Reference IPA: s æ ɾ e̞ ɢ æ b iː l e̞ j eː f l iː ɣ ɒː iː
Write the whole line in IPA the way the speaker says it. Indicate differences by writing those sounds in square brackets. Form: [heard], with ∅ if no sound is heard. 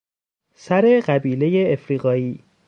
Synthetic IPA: s æ ɾ e̞ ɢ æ b iː l e̞ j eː f [ɾ] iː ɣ ɒː iː